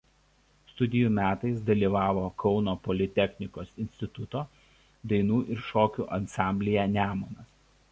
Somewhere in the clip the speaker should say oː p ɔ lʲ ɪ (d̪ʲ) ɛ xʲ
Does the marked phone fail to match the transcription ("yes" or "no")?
yes